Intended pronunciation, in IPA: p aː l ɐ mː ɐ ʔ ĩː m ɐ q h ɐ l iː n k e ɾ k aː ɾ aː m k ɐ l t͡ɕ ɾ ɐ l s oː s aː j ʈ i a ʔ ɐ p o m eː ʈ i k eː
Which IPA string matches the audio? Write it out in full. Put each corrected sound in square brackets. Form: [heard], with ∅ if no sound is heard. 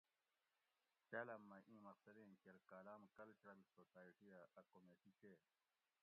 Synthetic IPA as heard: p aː l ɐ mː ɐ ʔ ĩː m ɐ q [s] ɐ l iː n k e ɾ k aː [l] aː m k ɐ l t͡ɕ ɾ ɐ l s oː s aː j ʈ i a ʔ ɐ [k] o m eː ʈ i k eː